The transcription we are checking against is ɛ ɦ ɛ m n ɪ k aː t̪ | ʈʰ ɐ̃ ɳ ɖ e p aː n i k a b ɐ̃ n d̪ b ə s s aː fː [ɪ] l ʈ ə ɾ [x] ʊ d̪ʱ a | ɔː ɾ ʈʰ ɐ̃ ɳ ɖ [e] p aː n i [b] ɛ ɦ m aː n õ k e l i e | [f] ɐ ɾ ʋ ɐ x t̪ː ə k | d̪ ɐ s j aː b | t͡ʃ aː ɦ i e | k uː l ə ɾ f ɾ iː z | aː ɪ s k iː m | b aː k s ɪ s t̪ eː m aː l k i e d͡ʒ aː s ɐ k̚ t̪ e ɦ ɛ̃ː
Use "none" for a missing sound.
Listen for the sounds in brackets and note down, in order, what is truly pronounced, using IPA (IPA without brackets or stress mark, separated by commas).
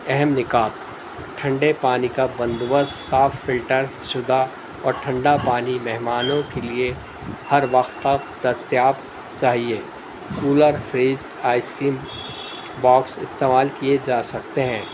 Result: ɪ, ʃ, a, m, h